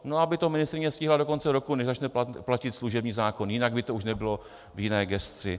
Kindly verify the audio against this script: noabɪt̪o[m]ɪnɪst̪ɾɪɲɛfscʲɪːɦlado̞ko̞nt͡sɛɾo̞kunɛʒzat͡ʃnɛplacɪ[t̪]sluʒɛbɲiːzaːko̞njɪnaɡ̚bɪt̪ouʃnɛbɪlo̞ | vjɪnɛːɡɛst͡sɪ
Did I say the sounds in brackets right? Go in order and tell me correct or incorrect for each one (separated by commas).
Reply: correct, correct